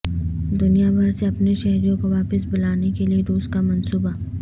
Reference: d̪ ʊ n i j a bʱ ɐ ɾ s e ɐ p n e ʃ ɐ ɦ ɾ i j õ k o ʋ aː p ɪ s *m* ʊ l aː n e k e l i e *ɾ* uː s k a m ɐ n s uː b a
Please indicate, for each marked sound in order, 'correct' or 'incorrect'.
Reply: incorrect: b, correct

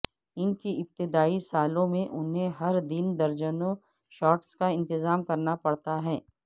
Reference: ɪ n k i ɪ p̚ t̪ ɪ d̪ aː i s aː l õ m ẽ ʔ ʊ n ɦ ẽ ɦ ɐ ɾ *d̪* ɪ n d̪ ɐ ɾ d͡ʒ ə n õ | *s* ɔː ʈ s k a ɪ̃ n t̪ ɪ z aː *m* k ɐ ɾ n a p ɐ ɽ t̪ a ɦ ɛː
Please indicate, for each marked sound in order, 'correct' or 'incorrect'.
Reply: correct, incorrect: ʃ, correct

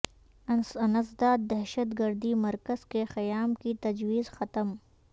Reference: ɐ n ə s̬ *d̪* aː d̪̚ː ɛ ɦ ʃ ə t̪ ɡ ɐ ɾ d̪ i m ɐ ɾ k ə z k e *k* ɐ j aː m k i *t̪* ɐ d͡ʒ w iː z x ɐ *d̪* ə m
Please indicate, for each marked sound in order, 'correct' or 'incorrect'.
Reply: correct, incorrect: x, correct, incorrect: t̪

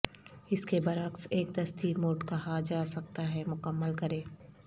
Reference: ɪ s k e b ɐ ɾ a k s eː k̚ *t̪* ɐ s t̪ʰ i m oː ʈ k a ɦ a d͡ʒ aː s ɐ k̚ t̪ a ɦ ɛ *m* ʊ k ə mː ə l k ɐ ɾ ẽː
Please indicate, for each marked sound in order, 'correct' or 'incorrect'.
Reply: incorrect: d̪, correct

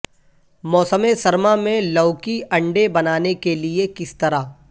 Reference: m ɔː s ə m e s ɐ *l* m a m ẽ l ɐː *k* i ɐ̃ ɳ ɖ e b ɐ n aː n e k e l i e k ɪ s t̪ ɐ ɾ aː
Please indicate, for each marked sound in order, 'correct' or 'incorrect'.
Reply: incorrect: ɾ, correct

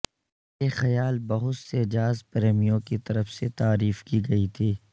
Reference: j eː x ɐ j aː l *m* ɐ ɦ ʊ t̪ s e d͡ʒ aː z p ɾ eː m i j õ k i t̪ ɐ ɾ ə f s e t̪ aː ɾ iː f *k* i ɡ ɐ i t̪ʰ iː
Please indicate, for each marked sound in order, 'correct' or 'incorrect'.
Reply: incorrect: b, correct

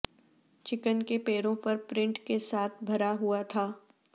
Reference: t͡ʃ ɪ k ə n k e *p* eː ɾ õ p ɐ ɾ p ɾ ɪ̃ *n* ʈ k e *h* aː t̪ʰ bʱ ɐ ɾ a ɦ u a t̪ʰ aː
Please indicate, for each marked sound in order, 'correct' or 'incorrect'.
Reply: correct, incorrect: ɳ, incorrect: s

